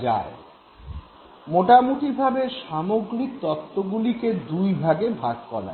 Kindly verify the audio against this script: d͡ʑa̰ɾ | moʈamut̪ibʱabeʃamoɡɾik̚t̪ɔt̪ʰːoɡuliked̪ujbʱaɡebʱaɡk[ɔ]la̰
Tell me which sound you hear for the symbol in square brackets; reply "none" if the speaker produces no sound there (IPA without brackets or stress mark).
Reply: ɔ